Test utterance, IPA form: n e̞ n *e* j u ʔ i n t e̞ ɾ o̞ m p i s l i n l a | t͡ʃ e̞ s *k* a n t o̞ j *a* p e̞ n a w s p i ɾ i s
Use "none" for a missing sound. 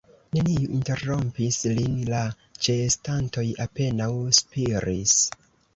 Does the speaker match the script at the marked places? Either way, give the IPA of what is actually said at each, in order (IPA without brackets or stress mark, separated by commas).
i, t, a